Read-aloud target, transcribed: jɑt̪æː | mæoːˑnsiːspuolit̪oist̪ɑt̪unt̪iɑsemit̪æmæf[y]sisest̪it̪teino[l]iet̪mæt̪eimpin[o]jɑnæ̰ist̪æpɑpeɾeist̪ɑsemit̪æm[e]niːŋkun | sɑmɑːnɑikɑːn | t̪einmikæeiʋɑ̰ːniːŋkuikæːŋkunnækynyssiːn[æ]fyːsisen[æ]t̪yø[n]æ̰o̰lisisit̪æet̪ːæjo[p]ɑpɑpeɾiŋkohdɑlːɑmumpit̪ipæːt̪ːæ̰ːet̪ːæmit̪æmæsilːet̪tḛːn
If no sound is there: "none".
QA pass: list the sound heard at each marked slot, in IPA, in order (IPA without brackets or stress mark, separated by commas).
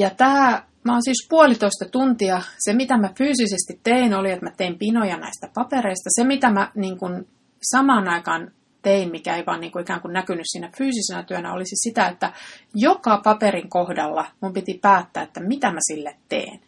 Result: yː, l, o, æ, æ, æ, n, k